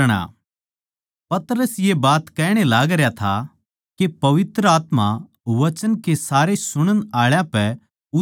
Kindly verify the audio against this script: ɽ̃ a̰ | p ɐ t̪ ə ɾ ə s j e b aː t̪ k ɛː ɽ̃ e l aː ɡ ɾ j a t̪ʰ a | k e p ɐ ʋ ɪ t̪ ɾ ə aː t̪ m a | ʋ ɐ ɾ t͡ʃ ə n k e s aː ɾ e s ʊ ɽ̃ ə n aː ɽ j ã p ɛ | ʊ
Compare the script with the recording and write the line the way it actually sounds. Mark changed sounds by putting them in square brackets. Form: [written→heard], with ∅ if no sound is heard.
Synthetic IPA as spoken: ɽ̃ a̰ | p ɐ t̪ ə ɾ ə s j e b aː t̪ k ɛː ɽ̃ e l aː ɡ ɾ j a t̪ʰ a | k e p ɐ ʋ ɪ t̪ ɾ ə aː t̪ m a | ʋ ɐ [ɾ→∅] t͡ʃ ə n k e s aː ɾ e s ʊ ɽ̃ ə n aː [ɽ→ɭ] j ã p ɛ | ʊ

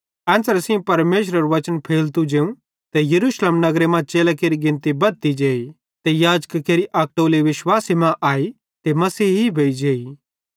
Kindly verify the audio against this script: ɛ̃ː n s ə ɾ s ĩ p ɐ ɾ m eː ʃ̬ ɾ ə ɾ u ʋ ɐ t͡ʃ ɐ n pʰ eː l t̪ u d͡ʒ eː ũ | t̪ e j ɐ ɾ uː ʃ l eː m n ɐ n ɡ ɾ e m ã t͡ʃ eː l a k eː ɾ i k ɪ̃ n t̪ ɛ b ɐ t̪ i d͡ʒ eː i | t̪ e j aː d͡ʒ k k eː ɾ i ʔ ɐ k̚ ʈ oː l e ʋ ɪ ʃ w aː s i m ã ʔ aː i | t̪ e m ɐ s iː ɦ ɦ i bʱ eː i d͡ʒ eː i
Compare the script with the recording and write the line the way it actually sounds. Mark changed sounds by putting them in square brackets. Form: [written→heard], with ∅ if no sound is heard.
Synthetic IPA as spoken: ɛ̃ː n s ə ɾ s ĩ p ɐ ɾ m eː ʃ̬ ɾ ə ɾ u ʋ ɐ t͡ʃ [ɐ→ə] n pʰ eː l t̪ u d͡ʒ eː ũ | t̪ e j ɐ ɾ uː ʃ l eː m n ɐ [n→∅] ɡ ɾ e m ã t͡ʃ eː l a k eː ɾ i [k→ɡ] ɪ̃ n t̪ [ɛ→i] b ɐ t̪ i d͡ʒ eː i | t̪ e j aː d͡ʒ k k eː ɾ i ʔ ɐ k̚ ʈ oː l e ʋ ɪ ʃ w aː s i m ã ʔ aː i | t̪ e m ɐ s iː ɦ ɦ i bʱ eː i d͡ʒ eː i

